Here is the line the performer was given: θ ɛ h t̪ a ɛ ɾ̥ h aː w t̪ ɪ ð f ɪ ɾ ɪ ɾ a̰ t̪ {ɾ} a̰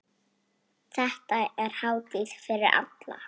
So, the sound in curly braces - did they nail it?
no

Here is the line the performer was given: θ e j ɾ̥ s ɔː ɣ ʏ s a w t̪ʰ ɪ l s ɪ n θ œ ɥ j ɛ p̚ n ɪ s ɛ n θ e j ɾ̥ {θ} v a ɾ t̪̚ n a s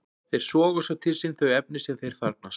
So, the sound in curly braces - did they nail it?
yes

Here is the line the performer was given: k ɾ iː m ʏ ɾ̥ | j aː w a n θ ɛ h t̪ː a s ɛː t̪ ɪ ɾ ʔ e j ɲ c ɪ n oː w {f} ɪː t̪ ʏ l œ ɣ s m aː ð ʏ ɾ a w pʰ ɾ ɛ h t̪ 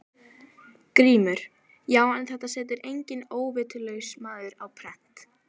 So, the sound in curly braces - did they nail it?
no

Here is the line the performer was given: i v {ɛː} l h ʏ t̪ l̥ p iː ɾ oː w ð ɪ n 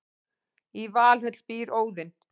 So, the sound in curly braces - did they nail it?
no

